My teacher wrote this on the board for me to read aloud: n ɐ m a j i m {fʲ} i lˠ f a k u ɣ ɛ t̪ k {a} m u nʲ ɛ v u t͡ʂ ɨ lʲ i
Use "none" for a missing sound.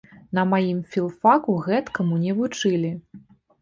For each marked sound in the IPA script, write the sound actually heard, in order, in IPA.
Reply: fʲ, ɐ

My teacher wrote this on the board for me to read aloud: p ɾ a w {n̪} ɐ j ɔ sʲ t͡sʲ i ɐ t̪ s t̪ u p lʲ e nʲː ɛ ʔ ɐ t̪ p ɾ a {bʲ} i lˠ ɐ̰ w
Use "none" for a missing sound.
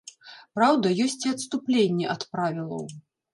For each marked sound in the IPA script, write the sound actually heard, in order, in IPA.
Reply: d̪, vʲ

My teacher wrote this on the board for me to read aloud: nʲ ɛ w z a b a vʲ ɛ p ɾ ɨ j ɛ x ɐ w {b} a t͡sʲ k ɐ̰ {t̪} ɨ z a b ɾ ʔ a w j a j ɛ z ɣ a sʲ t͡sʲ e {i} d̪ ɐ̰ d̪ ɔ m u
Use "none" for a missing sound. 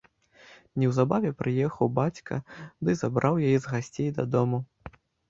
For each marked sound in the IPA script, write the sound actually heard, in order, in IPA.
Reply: b, d̪, j

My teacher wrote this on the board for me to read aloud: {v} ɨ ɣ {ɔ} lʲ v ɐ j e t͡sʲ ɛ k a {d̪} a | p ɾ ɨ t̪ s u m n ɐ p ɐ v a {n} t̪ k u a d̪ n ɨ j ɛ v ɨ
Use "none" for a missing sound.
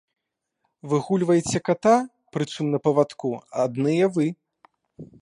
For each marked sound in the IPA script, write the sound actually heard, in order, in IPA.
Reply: v, u, t̪, none

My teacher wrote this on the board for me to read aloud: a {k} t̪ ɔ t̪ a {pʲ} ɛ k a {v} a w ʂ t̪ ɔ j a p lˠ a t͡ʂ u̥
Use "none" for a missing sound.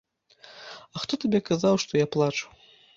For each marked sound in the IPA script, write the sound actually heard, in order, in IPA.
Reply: x, bʲ, z

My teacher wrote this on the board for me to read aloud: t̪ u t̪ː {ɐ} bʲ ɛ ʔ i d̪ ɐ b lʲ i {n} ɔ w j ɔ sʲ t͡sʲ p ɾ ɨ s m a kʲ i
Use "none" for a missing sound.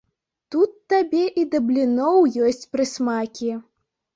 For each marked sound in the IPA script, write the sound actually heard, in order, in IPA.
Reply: a, n

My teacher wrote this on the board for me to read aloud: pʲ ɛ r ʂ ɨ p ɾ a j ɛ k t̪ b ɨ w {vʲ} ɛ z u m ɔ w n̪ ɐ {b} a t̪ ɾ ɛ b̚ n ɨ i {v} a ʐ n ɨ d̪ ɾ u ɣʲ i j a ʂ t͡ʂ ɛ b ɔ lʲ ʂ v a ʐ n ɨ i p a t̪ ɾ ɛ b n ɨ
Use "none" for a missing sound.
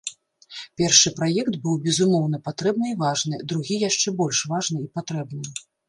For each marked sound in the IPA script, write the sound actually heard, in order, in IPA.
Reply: bʲ, p, v

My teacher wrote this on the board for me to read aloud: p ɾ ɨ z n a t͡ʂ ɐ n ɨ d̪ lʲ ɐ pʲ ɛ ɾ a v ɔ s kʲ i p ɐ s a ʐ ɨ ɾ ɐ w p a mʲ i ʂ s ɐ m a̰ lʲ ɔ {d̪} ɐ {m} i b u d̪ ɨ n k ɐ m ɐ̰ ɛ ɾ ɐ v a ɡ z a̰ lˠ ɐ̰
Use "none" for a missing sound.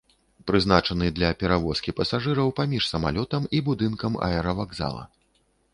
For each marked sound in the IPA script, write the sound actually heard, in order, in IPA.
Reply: t̪, m

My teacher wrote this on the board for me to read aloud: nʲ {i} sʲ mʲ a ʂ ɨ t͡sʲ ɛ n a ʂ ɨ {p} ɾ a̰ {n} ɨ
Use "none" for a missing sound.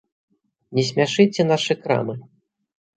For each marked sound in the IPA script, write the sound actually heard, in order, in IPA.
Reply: ɛ, k, m

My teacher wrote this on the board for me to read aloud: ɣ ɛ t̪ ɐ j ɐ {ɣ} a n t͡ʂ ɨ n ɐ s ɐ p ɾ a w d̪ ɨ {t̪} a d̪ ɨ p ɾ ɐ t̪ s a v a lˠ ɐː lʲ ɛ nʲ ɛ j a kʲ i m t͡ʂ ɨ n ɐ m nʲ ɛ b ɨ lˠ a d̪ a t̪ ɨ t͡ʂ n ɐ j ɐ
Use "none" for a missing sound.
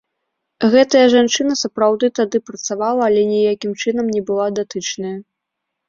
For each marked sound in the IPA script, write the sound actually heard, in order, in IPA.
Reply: ʐ, t̪

